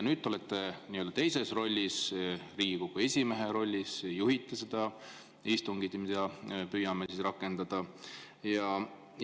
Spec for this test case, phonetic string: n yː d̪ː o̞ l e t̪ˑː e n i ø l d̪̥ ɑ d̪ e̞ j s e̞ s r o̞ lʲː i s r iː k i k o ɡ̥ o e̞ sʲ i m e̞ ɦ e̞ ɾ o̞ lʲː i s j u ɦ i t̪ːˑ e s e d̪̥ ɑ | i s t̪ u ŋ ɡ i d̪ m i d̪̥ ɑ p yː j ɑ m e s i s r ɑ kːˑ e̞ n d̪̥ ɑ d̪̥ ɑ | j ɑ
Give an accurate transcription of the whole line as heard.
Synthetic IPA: n yː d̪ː o̞ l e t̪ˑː e n i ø l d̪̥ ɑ t̪ e̞ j s e̞ s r o̞ lʲː i s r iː ɡ i k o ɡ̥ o e̞ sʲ i m e̞ ɦ e̞ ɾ o̞ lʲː i s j u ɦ i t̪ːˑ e s e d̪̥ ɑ | i s t̪ u ŋ ɡ i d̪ m i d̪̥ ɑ p yː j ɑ m e s i s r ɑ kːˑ e̞ n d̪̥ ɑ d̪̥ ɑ | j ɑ